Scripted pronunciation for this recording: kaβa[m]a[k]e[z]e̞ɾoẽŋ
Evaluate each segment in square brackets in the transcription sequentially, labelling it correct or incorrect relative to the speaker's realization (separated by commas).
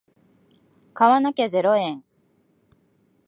incorrect, correct, correct